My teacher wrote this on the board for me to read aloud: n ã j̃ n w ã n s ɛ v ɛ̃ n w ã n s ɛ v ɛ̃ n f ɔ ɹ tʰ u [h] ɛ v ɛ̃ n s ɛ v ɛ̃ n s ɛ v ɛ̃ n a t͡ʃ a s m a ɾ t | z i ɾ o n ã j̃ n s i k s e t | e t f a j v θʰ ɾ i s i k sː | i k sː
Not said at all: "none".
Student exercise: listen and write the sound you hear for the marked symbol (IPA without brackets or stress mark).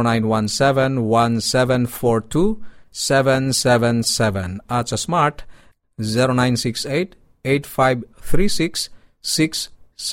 s